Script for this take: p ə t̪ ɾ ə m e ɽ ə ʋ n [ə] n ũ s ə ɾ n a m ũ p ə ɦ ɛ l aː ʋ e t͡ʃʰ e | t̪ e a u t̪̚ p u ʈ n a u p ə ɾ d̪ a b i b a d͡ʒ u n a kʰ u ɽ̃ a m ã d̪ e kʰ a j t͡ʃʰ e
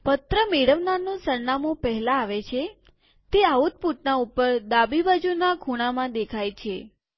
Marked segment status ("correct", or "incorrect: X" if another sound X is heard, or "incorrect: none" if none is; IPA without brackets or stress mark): incorrect: a